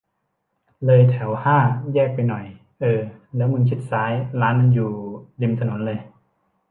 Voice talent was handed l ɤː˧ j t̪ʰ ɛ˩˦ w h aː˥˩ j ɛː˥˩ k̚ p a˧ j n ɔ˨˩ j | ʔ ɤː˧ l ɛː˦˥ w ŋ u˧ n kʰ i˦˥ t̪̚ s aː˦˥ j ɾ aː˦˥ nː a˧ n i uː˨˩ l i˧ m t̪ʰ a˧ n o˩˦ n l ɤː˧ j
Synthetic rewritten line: l ɤː˧ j t̪ʰ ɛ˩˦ w h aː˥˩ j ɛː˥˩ k̚ p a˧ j n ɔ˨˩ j | ʔ ɤː˧ l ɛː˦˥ w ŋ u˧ n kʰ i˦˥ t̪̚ s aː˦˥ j l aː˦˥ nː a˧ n j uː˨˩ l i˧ m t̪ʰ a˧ n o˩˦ n l ɤː˧ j

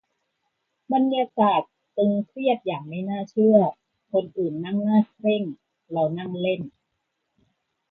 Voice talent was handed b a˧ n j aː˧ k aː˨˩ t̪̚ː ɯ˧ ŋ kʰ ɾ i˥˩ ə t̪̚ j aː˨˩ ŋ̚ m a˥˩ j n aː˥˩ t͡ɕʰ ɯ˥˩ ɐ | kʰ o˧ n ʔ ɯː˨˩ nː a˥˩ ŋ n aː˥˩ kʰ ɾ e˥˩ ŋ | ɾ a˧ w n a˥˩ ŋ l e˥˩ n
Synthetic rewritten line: b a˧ n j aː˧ k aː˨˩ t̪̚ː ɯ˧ ŋ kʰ ɾ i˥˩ ə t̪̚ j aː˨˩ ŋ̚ m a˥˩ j n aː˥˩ t͡ɕʰ ɯ˥˩ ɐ | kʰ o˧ n ʔ ɯː˨˩ nː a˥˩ ŋ n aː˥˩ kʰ ɾ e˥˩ ŋ | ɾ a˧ w n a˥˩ ŋ l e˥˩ n

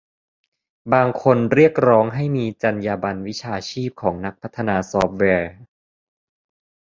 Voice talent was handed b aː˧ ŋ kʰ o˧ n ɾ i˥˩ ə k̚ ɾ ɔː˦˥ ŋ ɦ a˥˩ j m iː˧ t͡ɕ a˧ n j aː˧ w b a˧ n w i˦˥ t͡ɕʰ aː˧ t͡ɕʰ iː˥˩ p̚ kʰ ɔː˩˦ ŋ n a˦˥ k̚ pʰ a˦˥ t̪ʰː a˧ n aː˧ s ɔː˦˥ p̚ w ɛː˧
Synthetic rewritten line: b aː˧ ŋ kʰ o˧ n ɾ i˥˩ ə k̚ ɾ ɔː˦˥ ŋ ɦ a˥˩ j m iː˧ t͡ɕ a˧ n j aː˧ b a˧ n w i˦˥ t͡ɕʰ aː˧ t͡ɕʰ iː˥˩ p̚ kʰ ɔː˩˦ ŋ n a˦˥ k̚ pʰ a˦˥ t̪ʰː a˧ n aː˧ s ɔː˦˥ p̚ w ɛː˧

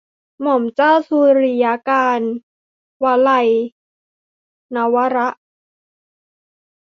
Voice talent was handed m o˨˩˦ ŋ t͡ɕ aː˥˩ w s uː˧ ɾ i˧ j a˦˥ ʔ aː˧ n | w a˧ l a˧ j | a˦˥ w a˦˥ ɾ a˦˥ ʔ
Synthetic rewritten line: m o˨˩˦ m t͡ɕ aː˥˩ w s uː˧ ɾ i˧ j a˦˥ k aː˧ n | w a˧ l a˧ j | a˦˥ w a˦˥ ɾ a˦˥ ʔ

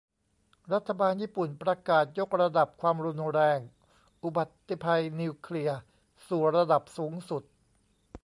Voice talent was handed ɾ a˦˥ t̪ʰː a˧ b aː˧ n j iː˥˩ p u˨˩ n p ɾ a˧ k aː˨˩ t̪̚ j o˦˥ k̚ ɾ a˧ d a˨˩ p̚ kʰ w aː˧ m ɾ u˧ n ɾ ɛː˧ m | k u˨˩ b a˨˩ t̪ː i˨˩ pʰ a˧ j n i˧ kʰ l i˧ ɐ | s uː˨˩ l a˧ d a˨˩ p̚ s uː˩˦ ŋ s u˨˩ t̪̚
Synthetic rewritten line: ɾ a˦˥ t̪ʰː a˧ b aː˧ n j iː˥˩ p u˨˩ n p ɾ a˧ k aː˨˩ t̪̚ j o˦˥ k̚ ɾ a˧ d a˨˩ p̚ kʰ w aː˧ m ɾ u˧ n ɾ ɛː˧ ŋ | ʔ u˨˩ b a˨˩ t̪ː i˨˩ pʰ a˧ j n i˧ kʰ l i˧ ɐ | s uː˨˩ ɾ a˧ d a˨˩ p̚ s uː˩˦ ŋ s u˨˩ t̪̚

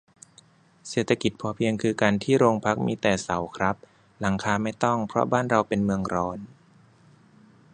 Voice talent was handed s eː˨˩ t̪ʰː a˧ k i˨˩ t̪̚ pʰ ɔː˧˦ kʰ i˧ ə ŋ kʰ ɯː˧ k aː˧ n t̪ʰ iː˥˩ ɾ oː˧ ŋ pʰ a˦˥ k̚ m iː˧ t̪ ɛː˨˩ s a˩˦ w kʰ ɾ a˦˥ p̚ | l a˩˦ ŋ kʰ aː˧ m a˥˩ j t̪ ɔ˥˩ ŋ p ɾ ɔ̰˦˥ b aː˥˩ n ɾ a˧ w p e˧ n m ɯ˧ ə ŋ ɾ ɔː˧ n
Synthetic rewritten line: s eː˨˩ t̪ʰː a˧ k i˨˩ t̪̚ pʰ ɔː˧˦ pʰ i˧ ə ŋ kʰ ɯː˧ k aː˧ n t̪ʰ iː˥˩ ɾ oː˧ ŋ pʰ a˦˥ k̚ m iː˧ t̪ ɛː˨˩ s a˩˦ w kʰ ɾ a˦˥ p̚ | l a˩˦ ŋ kʰ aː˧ m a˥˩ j t̪ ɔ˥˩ ŋ pʰ ɾ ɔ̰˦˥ b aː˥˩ n ɾ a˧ w p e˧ n m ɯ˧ ə ŋ ɾ ɔː˧ n

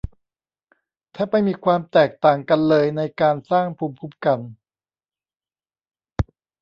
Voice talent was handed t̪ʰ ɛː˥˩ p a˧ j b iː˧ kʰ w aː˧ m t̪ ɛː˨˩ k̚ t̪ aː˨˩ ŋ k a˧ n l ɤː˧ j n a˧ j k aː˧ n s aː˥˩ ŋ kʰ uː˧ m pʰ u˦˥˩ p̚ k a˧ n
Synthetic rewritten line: t̪ʰ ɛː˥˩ p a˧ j m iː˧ kʰ w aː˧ m t̪ ɛː˨˩ k̚ t̪ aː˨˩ ŋ k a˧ n l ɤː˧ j n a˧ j k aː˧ n s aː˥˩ ŋ pʰ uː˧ m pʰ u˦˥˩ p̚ k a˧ n

